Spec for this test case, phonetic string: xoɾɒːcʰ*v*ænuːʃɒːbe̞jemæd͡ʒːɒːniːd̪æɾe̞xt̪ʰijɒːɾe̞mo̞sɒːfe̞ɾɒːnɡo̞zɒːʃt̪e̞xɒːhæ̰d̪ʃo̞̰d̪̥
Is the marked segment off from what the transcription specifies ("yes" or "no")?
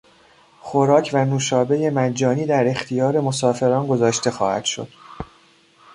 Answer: no